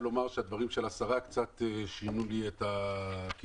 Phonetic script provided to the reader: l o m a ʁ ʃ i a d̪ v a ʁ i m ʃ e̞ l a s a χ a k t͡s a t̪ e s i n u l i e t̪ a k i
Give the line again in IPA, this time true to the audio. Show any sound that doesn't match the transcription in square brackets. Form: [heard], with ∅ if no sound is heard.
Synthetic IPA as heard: l o m a ʁ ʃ [e] a d̪ v a ʁ i m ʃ e̞ l a s a [ʁ] a k t͡s a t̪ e [ʃ] i n u l i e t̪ a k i